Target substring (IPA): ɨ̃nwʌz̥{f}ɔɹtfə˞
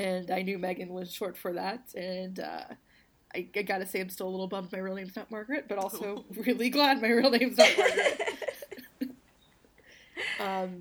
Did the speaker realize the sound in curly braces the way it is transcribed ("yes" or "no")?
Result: no